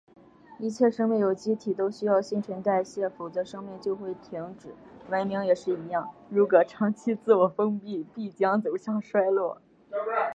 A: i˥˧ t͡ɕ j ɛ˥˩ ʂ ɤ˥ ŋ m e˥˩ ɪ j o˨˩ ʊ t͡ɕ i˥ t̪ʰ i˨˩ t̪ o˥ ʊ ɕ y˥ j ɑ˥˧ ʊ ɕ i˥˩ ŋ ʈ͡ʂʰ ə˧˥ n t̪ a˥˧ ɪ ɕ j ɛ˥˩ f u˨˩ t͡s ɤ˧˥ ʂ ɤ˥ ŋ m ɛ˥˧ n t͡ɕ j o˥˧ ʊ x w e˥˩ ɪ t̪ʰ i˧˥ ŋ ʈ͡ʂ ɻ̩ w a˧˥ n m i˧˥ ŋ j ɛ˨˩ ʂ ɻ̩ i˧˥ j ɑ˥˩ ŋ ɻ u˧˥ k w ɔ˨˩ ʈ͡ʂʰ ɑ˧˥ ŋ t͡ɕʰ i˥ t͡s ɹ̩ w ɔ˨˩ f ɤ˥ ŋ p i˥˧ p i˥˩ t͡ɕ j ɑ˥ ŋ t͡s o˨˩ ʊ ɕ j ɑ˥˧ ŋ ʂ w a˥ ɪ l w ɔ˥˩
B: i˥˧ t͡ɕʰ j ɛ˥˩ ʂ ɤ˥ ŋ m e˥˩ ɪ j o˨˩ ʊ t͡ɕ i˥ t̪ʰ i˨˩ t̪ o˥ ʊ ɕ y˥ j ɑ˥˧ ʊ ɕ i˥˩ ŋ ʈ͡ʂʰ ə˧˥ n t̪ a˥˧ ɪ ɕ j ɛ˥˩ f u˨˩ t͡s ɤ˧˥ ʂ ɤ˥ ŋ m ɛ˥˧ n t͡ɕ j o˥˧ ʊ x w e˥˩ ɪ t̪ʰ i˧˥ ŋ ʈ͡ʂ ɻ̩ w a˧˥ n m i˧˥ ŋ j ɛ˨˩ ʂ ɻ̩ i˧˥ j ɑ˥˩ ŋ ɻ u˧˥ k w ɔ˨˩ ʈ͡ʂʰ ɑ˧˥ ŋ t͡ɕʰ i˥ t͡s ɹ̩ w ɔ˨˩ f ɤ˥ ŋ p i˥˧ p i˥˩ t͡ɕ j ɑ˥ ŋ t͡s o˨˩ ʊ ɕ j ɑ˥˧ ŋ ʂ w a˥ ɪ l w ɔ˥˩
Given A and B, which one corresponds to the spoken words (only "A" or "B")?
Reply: B